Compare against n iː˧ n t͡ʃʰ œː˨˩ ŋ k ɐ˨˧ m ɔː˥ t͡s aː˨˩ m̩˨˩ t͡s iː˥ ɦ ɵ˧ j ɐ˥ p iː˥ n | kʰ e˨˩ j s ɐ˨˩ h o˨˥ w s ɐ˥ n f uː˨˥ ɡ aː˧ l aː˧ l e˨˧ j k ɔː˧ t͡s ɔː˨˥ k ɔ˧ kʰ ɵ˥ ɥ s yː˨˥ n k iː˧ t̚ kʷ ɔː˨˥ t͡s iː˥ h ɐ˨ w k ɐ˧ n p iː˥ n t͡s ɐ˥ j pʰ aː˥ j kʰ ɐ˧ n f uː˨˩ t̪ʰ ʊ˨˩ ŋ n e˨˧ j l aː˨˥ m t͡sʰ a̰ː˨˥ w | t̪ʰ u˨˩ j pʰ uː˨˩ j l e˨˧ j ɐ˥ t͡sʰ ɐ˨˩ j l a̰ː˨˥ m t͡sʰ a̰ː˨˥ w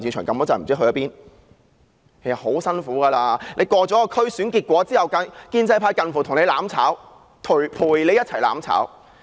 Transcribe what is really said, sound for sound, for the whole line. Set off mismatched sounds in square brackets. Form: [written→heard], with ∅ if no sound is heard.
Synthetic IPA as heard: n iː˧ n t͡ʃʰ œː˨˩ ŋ k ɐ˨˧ m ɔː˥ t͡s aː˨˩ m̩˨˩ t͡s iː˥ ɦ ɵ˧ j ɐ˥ p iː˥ n | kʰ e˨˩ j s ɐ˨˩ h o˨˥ w s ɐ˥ n f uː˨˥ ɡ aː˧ l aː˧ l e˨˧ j k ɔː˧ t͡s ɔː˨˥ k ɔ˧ kʰ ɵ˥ ɥ s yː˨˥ n k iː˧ t̚ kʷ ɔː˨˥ t͡s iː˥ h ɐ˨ w k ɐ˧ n [p→k] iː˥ n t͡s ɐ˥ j pʰ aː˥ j [kʰ→k] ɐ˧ n f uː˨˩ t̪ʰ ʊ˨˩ ŋ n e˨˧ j l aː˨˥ m t͡sʰ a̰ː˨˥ w | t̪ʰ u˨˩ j pʰ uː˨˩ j l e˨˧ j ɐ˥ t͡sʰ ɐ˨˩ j l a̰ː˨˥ m t͡sʰ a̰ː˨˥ w